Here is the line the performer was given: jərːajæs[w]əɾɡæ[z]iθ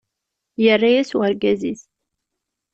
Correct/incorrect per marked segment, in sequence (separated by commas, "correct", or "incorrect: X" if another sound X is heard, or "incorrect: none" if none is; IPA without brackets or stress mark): correct, correct